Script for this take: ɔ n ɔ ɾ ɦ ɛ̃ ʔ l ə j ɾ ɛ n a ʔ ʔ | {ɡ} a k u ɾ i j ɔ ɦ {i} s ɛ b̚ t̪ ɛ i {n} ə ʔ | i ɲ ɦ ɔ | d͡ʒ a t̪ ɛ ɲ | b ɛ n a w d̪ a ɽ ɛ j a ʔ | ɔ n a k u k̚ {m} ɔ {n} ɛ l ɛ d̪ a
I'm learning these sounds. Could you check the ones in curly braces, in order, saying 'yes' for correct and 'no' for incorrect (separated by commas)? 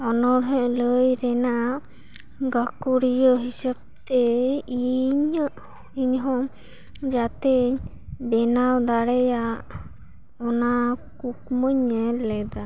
yes, yes, no, yes, no